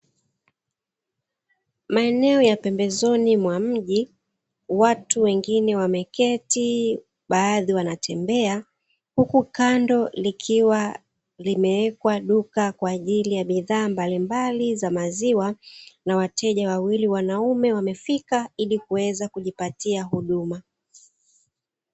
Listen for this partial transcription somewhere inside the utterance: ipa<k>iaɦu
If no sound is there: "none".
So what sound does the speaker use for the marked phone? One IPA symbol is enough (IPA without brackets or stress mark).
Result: t